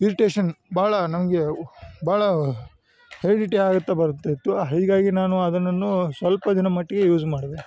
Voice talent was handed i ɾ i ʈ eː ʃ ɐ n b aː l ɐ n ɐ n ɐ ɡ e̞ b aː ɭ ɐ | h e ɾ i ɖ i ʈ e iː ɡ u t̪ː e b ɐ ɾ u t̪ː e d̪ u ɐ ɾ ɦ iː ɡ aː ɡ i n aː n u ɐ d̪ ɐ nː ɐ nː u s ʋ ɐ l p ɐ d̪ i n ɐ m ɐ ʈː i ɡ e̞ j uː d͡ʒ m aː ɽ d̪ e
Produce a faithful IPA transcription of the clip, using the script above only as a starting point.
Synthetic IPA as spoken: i ɾ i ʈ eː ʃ ɐ n b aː ɭ ɐ n ɐ m ɐ ɡ e̞ b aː ɭ ɐ | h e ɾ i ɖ i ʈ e aː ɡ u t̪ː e b ɐ ɾ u t̪ː e t̪ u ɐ ɦ iː ɡ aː ɡ i n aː n u ɐ d̪ ɐ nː ɐ nː u s ʋ ɐ l p ɐ d̪ i n ɐ m ɐ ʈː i ɡ e̞ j uː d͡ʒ m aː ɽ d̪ e